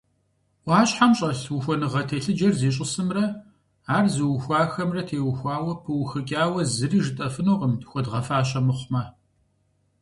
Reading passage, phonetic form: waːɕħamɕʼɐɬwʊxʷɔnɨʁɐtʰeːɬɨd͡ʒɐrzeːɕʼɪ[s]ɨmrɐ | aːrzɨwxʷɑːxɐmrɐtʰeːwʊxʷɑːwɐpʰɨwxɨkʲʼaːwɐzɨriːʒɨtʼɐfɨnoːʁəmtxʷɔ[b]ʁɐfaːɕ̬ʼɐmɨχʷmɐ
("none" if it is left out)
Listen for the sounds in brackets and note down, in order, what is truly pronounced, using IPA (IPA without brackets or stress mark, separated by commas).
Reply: s, d